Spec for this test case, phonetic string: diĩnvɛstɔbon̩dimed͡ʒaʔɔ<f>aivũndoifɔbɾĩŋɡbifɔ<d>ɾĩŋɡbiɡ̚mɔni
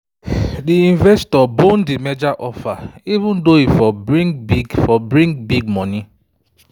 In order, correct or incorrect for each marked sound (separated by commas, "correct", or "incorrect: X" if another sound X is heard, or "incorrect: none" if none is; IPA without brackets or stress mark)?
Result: correct, incorrect: b